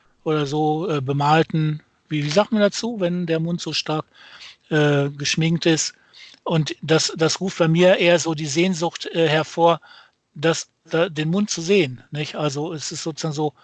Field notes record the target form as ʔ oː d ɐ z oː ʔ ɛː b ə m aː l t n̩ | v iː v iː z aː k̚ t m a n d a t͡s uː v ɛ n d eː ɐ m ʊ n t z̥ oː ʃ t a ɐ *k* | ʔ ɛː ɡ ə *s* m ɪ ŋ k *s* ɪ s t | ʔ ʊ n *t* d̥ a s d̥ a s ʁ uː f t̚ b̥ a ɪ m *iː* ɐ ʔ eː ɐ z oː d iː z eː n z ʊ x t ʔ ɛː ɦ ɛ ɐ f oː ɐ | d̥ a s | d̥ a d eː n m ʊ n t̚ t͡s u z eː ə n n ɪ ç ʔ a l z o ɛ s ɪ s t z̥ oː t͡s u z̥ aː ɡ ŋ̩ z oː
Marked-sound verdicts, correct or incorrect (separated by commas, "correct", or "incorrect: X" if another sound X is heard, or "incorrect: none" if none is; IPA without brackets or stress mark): correct, incorrect: ʃ, incorrect: t, correct, correct